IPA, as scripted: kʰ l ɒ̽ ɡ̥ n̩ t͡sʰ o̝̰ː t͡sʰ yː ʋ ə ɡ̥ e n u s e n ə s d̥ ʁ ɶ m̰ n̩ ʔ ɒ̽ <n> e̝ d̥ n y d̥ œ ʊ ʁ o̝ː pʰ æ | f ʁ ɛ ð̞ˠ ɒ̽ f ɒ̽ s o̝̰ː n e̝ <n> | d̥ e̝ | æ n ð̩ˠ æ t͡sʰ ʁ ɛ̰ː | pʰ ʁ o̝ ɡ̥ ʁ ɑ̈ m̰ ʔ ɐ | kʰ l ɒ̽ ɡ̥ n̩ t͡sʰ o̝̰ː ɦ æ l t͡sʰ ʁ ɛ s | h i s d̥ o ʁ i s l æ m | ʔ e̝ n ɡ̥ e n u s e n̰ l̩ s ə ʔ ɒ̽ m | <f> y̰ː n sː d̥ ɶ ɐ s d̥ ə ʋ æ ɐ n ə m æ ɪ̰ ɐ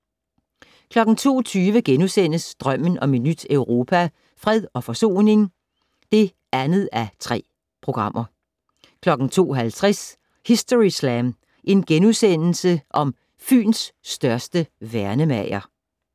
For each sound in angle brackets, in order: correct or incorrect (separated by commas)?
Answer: incorrect, incorrect, correct